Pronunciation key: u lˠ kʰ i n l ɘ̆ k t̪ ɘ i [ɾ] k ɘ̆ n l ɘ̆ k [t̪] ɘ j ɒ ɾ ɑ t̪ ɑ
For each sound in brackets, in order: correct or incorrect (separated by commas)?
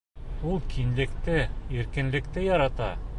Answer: correct, correct